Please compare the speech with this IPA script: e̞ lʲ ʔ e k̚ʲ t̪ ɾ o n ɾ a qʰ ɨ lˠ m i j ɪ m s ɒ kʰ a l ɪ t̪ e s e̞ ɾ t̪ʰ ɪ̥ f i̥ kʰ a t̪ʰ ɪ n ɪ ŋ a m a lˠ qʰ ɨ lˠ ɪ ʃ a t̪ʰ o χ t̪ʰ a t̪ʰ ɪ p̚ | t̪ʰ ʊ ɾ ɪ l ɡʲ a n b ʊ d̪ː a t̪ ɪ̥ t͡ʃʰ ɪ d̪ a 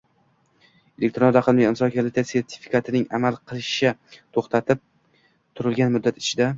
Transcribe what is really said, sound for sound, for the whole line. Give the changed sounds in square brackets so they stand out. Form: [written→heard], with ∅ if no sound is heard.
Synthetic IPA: e̞ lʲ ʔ e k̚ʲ t̪ ɾ o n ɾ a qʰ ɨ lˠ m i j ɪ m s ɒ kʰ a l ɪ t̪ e s e̞ ɾ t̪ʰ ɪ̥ f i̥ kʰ a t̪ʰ ɪ n ɪ ŋ a m a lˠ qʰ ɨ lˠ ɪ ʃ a t̪ʰ o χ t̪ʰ a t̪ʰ ɪ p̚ | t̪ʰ ʊ ɾ ɪ l ɡʲ a n [b→m] ʊ d̪ː a t̪ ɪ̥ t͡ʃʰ ɪ d̪ a